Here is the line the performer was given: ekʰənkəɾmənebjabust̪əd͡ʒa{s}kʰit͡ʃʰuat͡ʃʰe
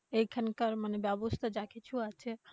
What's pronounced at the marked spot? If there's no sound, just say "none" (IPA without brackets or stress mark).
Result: none